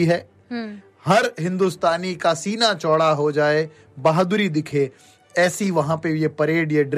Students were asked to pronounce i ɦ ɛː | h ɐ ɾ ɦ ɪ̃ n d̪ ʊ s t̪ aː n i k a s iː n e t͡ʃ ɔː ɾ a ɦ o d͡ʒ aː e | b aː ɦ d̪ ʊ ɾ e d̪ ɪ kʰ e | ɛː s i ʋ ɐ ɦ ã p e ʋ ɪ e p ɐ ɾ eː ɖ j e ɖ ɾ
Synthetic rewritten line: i ɦ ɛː | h ɐ ɾ ɦ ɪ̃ n d̪ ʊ s t̪ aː n i k a s iː n a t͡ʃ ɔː ɽ a ɦ o d͡ʒ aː e | b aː ɦ d̪ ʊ ɾ i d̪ ɪ kʰ e | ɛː s i ʋ ɐ ɦ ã p e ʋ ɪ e p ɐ ɾ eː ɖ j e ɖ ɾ